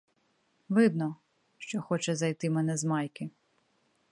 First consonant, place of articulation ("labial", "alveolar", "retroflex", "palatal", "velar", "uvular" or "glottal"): labial